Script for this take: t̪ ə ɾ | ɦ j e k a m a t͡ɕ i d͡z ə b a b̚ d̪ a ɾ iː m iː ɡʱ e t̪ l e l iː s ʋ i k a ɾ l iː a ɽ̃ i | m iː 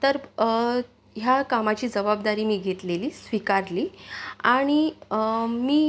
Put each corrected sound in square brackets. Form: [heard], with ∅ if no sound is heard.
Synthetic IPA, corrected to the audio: t̪ ə ɾ | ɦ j [a] k a m a t͡ɕ [iː] d͡z ə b a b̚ d̪ a ɾ iː m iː ɡʱ e t̪ l e l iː s ʋ i k a ɾ l iː a ɽ̃ i | m iː